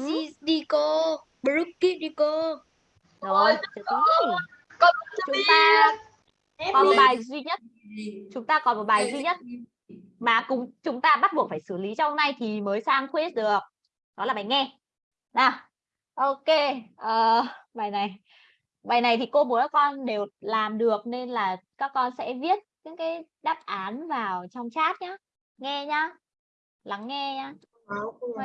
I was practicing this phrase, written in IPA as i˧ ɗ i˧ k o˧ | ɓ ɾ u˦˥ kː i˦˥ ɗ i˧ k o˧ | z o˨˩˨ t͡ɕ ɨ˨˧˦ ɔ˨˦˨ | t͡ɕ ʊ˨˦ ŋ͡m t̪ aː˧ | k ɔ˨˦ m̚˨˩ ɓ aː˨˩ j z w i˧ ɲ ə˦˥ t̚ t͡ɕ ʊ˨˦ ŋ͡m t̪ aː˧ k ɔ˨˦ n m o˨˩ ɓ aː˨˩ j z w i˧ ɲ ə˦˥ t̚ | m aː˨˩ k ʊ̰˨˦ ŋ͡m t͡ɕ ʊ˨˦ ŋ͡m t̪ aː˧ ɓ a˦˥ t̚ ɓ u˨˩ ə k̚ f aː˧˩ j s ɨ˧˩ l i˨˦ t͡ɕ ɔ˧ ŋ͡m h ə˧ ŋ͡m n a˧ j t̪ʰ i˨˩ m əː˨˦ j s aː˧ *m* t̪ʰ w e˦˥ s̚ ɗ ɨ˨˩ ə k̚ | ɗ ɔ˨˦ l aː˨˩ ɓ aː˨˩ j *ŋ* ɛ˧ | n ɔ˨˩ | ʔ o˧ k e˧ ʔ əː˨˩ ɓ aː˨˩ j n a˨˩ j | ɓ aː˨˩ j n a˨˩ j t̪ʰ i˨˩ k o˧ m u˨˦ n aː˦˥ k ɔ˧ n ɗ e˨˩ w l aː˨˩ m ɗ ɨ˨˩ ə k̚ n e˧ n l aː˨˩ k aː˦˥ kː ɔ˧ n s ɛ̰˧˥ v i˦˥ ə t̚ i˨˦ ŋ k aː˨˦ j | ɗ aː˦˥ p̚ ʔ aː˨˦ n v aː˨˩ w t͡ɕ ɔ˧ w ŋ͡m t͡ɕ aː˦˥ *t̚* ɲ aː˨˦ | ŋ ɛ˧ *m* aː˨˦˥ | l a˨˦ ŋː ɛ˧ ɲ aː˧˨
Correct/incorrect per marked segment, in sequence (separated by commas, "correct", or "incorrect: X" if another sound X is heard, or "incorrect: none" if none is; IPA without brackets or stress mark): incorrect: ŋ, correct, correct, incorrect: ɲ